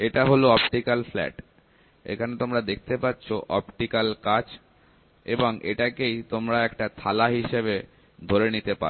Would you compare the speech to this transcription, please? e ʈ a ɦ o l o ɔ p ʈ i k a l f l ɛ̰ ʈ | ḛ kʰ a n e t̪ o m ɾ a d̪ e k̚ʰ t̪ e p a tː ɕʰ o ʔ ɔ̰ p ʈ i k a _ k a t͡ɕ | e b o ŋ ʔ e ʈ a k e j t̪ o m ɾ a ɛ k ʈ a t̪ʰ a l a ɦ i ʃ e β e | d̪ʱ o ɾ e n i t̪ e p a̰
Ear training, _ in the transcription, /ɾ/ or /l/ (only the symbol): l